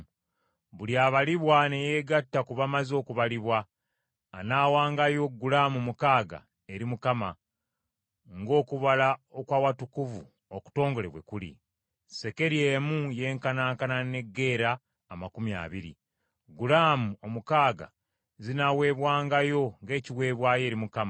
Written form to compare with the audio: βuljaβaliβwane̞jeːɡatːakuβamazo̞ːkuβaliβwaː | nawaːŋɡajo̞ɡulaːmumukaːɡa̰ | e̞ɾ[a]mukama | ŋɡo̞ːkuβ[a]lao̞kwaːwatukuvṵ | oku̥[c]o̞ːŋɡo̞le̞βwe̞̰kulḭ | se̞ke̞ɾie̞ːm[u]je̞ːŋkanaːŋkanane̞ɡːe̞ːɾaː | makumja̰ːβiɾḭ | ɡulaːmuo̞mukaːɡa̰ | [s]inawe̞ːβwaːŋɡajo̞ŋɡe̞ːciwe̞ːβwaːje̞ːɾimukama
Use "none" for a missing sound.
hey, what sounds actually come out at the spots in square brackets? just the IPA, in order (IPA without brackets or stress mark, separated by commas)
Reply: i, a, t, u, z